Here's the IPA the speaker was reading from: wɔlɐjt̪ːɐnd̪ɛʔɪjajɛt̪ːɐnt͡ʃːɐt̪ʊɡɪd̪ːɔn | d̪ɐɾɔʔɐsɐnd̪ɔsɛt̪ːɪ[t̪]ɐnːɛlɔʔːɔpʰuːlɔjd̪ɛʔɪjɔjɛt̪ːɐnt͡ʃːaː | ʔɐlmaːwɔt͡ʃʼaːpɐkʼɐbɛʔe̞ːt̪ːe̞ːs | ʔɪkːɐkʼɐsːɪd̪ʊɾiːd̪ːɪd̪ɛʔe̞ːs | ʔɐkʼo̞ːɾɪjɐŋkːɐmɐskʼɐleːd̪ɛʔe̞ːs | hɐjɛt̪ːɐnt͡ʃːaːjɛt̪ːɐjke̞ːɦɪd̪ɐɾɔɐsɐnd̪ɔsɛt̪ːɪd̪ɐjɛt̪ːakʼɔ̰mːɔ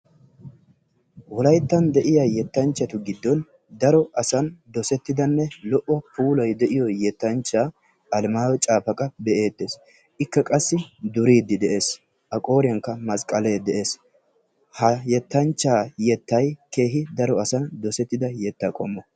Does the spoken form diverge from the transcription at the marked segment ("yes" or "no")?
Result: yes